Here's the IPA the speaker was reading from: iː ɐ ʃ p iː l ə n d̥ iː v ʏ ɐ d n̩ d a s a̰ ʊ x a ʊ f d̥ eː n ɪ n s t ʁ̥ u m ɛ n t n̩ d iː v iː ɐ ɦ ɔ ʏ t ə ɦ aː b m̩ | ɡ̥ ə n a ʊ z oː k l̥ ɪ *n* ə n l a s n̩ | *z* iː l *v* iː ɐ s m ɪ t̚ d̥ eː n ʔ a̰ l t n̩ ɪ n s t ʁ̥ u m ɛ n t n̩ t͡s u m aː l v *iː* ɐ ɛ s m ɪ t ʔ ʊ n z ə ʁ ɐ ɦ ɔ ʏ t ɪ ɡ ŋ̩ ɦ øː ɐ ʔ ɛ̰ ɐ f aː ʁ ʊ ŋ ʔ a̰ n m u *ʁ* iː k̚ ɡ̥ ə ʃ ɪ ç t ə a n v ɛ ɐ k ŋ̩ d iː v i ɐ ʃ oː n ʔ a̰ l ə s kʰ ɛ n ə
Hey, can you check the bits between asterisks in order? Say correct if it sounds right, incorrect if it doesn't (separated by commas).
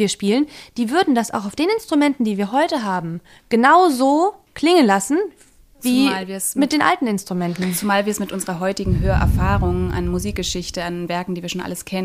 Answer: incorrect, incorrect, correct, correct, incorrect